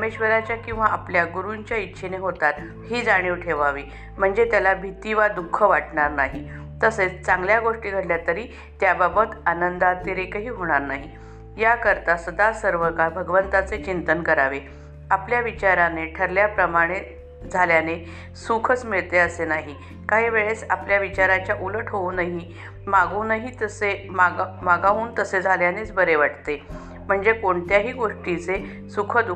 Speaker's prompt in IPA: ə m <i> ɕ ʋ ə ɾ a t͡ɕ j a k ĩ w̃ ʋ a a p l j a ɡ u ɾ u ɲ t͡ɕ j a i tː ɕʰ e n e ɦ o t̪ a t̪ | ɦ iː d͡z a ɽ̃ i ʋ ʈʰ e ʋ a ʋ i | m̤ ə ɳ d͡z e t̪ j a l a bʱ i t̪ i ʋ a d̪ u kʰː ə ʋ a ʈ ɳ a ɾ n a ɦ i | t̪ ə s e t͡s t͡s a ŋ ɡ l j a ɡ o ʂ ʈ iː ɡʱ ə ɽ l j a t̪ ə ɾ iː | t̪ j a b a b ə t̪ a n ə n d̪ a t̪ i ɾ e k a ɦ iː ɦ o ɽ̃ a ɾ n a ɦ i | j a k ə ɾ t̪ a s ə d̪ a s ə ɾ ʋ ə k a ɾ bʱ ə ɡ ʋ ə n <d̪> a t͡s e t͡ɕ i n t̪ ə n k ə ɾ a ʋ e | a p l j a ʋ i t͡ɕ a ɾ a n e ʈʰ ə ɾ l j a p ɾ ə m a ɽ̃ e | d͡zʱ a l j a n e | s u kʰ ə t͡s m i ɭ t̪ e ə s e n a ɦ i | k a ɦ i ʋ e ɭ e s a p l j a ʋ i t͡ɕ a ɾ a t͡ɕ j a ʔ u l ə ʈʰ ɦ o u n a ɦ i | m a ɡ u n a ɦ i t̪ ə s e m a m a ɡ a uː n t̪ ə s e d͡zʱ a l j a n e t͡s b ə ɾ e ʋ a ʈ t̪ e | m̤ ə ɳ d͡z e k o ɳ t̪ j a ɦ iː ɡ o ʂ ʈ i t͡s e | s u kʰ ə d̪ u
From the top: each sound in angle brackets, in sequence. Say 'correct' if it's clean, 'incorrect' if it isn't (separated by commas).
incorrect, incorrect